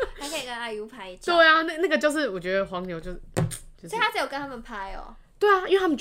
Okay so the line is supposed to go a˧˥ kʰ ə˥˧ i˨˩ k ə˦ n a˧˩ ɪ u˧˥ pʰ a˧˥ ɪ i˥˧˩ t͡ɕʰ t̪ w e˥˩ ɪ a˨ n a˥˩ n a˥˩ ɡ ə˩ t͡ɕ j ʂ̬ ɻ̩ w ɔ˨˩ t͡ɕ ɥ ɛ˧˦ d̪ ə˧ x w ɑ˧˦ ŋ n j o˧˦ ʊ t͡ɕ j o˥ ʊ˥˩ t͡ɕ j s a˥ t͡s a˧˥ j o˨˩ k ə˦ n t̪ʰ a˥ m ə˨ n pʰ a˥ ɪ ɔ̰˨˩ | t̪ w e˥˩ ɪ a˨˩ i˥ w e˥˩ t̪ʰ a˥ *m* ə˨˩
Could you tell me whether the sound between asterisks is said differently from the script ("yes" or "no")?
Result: no